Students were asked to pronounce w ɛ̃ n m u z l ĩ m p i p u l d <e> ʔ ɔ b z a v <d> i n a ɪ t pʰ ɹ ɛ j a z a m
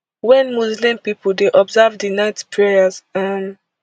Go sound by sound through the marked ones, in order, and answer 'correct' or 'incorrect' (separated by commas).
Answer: correct, correct